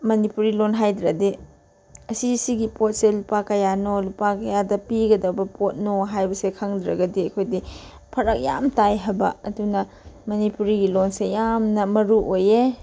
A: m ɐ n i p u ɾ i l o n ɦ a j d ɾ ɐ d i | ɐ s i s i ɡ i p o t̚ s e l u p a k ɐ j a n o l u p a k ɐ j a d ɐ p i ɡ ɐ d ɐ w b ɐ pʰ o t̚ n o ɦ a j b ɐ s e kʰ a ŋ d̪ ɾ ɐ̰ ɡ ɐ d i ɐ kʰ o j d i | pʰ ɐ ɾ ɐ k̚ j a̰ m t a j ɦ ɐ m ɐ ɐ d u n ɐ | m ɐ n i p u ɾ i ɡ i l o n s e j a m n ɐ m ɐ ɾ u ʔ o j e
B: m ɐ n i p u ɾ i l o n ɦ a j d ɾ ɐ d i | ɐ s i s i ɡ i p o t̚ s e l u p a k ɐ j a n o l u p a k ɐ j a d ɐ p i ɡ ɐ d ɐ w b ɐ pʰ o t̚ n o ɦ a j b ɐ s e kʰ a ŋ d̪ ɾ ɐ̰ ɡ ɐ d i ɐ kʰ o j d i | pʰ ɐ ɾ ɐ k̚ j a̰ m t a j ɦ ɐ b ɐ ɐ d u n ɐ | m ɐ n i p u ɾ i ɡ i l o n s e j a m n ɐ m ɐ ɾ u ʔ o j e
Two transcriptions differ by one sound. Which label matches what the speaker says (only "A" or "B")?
B